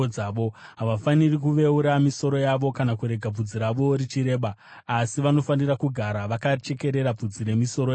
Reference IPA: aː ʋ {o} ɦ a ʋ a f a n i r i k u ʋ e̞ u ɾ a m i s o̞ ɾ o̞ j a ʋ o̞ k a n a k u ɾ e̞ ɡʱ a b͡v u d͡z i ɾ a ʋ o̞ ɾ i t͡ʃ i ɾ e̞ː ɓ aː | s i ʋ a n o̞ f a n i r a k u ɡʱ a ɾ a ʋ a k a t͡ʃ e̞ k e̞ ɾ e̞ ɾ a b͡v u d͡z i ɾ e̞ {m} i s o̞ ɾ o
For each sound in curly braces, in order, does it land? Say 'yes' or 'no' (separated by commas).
yes, yes